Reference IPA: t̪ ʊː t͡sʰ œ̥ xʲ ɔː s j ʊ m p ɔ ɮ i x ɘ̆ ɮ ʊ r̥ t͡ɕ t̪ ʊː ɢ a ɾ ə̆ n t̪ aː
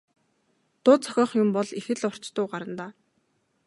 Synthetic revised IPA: t̪ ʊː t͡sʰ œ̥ xʲ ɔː χ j ʊ m p ɔ ɮ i x ɘ̆ ɮ ʊ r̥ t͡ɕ t̪ ʊː ɢ a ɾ ə̆ n t̪ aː